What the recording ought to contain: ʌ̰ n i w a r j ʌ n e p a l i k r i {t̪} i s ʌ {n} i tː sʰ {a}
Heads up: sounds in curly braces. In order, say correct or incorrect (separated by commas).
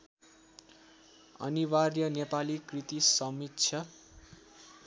correct, incorrect, incorrect